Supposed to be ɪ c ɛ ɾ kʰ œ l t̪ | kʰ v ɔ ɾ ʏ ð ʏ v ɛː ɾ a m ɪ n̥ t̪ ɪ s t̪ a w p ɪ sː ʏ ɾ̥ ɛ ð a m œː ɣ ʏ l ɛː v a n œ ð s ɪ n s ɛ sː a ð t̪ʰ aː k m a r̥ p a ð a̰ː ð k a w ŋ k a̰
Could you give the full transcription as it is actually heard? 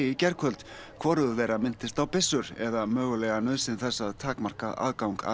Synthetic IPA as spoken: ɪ c ɛ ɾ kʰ œ l t̪ | kʰ v ɔ ɾ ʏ ð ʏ v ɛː ɾ a m ɪ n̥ t̪ ɪ s t̪ a w p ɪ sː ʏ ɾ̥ ɛ ð a m œː ɣ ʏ l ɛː ɣ a n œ ð s ɪ n θ ɛ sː a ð t̪ʰ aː k m a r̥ k a ð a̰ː ð k a w ŋ k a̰